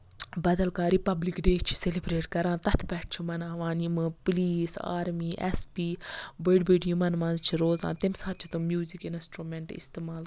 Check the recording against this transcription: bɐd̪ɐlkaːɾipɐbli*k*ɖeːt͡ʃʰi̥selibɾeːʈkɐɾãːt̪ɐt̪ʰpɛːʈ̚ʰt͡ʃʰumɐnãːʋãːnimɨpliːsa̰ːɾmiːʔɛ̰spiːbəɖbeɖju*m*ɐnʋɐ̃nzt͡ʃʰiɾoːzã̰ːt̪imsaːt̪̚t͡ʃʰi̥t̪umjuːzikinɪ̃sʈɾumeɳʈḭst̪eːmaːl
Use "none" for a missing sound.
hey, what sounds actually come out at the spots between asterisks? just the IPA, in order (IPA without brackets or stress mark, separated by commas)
k, m